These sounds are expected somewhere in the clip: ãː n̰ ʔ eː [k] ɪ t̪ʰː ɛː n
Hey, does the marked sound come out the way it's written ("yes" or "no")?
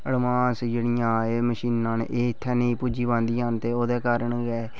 no